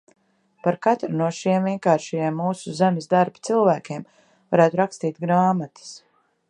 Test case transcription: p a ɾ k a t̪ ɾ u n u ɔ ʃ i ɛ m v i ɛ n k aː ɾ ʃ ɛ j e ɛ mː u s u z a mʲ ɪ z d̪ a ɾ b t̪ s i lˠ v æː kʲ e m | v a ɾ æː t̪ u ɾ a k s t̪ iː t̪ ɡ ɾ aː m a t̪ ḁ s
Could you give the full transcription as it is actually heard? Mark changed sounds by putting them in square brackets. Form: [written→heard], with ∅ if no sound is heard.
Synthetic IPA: p a ɾ k a t̪ ɾ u n u ɔ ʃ i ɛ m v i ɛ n k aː ɾ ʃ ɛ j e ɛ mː [u→uː] s u z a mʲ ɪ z d̪ a ɾ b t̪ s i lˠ v æː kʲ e m | v a ɾ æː t̪ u ɾ a k s t̪ iː t̪ ɡ ɾ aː m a t̪ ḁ s

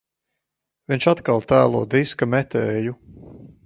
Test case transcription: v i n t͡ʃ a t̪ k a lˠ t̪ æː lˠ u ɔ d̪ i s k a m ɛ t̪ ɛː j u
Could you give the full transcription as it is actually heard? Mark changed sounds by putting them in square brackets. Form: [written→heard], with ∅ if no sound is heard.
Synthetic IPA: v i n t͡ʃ a t̪ k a lˠ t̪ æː lˠ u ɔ d̪ i s k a m ɛ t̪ ɛː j u

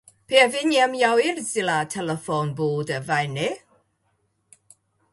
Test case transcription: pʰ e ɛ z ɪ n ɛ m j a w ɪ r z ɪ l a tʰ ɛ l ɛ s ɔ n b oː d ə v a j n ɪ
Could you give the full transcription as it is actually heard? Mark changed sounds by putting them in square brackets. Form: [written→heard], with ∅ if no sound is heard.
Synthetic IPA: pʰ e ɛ [z→v] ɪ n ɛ m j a w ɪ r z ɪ l a tʰ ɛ l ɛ [s→f] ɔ n b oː d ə v a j n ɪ

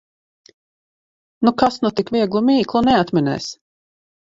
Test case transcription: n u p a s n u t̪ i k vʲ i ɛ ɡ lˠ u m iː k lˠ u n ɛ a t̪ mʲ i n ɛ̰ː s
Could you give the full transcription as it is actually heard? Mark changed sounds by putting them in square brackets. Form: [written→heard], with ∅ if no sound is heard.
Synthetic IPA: n u [p→k] a s n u t̪ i k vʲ i ɛ ɡ lˠ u m iː k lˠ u n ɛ a t̪ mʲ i n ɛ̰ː s

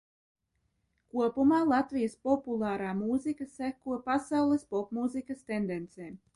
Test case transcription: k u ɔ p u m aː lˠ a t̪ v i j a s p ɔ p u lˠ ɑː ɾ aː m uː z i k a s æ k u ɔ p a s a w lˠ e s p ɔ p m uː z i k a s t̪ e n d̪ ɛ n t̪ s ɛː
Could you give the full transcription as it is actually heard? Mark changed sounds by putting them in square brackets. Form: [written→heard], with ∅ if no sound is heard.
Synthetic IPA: k u ɔ p u m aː lˠ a t̪ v i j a s p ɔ p u lˠ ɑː ɾ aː m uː z i k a s æ k u ɔ p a s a w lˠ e s p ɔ p m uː z i k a s t̪ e n d̪ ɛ n t̪ s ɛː

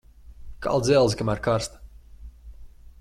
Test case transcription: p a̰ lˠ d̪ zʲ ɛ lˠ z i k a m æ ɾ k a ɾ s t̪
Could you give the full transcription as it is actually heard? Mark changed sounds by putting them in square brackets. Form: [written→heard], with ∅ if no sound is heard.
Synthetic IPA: [p→k] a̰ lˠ d̪ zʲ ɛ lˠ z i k a m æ ɾ k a ɾ s t̪

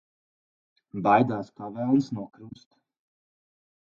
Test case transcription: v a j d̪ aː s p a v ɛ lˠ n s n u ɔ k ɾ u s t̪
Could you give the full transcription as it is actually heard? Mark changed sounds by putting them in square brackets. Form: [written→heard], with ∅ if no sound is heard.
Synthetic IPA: [v→b] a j d̪ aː s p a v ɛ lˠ n s n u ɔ k ɾ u s t̪

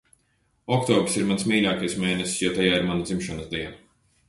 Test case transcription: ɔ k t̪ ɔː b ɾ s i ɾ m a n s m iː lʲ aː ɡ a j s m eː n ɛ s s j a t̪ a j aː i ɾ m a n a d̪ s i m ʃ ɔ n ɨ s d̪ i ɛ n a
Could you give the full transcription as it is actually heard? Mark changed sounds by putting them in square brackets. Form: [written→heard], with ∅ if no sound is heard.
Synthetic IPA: ɔ k t̪ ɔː b ɾ s i ɾ m a n s m iː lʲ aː [ɡ→k] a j s m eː n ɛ s s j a t̪ a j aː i ɾ m a n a d̪ [s→z] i m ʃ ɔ n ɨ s d̪ i ɛ n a

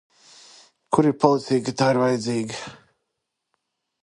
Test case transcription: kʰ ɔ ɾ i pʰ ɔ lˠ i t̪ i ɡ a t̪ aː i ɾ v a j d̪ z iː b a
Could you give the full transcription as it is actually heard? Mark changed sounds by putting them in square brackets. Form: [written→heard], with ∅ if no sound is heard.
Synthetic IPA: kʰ [ɔ→u] ɾ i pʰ ɔ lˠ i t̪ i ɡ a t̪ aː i ɾ v a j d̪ z iː [b→ɡ] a

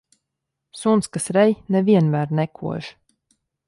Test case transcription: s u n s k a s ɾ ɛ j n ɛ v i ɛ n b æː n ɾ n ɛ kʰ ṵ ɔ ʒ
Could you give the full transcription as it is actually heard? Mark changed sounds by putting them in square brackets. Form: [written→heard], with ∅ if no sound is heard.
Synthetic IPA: s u n s k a s ɾ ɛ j n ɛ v i ɛ n [b→m] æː [n→∅] ɾ n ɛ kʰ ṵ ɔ ʒ

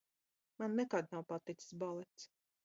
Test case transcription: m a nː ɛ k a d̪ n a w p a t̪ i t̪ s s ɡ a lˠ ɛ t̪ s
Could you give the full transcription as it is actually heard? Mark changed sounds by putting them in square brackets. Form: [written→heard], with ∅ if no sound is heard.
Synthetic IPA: m a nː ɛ k a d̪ n a w p a t̪ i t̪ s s [ɡ→b] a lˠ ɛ t̪ s

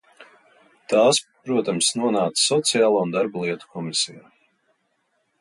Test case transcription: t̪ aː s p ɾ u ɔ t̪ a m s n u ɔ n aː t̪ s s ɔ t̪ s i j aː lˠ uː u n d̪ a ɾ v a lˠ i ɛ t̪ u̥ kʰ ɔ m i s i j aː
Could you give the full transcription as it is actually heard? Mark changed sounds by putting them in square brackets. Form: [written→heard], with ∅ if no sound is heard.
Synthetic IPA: t̪ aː s p ɾ u ɔ t̪ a m s n u ɔ n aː t̪ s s ɔ t̪ s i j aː lˠ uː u n d̪ a ɾ [v→b] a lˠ i ɛ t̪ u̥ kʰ ɔ m i s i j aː

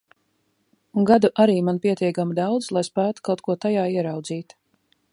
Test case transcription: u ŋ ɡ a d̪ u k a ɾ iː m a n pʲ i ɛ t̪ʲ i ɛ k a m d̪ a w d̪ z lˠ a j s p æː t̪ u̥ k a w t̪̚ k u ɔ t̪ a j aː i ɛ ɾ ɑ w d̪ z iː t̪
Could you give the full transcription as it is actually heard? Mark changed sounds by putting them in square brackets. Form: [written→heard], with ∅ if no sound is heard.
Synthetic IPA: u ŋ ɡ a d̪ u [k→ʔ] a ɾ iː m a n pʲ i ɛ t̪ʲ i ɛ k a m d̪ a w d̪ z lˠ a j s p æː t̪ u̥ k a w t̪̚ k u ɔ t̪ a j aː i ɛ ɾ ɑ w d̪ z iː t̪

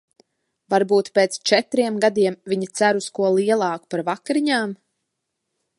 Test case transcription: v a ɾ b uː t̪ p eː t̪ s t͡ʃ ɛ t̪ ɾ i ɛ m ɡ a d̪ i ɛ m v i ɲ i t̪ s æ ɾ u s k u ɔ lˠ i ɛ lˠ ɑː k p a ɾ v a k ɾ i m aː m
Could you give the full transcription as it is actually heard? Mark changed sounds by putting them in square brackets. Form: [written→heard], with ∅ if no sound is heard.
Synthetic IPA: v a ɾ b uː t̪ p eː t̪ s t͡ʃ ɛ t̪ ɾ i ɛ m ɡ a d̪ i ɛ m v i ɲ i t̪ s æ ɾ u s k u ɔ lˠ i ɛ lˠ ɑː k p a ɾ v a k ɾ i [m→ɲ] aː m

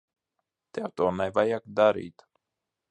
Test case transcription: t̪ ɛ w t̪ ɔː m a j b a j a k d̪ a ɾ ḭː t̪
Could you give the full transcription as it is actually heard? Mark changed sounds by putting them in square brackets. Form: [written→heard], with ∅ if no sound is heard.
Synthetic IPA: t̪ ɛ w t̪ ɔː [m→n] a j [b→v] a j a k d̪ a ɾ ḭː t̪

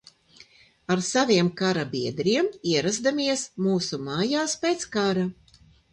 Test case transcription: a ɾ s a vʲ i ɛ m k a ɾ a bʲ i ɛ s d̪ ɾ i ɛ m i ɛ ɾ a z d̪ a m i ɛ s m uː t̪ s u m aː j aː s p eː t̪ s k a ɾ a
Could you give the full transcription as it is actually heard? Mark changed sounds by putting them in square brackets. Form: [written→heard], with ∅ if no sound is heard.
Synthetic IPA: a ɾ s a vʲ i ɛ m k a ɾ a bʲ i ɛ [s→∅] d̪ ɾ i ɛ m i ɛ ɾ a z d̪ a m i ɛ s m uː [t̪→∅] s u m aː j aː s p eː t̪ s k a ɾ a

